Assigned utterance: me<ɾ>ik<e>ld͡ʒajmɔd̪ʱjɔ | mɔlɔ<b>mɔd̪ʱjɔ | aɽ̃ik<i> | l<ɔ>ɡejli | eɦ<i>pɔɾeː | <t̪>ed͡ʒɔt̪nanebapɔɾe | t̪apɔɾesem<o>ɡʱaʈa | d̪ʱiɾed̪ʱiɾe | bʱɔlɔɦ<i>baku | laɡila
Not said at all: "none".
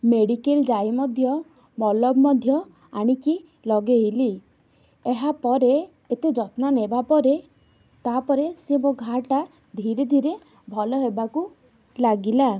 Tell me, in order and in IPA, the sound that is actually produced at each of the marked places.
ɽ, e, b, i, ɔ, a, t̪, o, e

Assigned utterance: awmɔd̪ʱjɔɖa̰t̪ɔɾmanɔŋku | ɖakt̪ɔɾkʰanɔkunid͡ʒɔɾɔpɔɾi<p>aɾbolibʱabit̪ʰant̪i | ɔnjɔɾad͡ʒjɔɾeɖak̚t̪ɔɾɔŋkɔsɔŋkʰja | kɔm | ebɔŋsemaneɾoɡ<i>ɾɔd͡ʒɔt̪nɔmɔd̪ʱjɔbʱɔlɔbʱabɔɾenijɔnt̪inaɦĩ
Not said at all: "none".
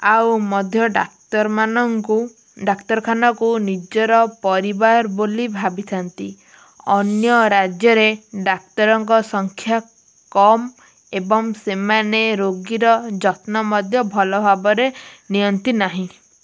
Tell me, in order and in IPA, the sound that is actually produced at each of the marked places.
b, i

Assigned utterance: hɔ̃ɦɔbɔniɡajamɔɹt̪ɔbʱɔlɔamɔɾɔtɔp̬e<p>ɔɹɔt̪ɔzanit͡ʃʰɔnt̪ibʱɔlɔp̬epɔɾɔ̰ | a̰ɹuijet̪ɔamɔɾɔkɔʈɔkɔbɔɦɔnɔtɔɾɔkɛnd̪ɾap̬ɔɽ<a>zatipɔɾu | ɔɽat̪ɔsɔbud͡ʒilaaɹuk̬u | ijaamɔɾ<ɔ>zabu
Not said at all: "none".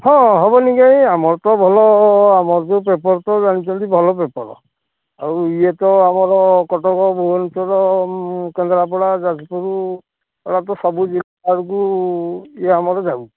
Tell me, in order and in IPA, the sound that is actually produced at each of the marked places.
p, a, ɔ

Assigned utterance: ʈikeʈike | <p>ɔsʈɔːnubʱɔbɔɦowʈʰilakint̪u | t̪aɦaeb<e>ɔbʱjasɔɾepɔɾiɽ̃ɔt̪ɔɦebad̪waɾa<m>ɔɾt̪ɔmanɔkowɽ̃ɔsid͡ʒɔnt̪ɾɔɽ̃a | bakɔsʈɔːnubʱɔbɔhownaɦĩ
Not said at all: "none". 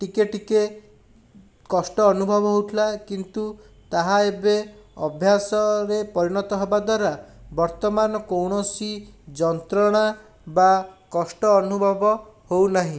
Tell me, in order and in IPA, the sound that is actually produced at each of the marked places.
k, e, b

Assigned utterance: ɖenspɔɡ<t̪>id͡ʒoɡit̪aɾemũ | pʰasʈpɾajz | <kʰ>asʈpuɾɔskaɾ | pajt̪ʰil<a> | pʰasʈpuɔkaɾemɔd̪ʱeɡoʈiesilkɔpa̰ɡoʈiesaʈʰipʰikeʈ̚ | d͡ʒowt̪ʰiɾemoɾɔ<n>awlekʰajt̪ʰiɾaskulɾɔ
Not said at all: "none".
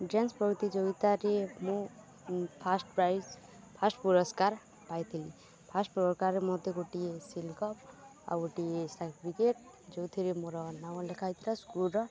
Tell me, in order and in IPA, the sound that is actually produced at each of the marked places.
t̪, pʰ, i, n

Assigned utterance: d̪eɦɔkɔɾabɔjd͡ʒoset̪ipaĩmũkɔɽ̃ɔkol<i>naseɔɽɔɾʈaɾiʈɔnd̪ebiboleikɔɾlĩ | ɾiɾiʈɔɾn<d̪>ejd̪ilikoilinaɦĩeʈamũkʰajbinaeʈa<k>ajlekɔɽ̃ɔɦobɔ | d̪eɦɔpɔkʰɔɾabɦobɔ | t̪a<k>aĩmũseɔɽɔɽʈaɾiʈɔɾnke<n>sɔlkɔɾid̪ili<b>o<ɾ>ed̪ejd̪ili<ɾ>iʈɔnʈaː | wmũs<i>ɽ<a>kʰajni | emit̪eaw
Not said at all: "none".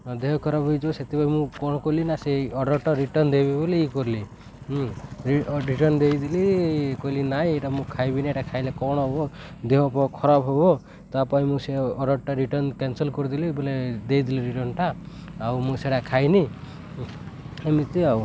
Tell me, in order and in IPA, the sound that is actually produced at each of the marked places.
i, d̪, kʰ, p, n, b, l, ɾ, e, a

